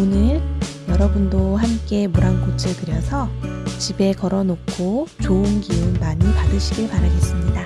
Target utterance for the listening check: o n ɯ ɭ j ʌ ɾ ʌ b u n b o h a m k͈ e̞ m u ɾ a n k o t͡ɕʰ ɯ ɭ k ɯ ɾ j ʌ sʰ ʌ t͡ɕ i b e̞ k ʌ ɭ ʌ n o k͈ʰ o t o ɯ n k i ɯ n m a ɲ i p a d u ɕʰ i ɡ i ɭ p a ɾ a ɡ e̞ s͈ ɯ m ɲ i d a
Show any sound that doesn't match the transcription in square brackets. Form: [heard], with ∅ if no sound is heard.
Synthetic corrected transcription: o n ɯ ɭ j ʌ ɾ ʌ b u n [d] o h a m k͈ e̞ m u ɾ a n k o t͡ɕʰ ɯ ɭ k ɯ ɾ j ʌ sʰ ʌ t͡ɕ i b e̞ k ʌ [ɾ] ʌ n o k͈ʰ o [t͡ɕ] o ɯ n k i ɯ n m a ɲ i p a d [ɯ] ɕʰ i ɡ i ɭ p a ɾ a ɡ e̞ s͈ ɯ m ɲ i d a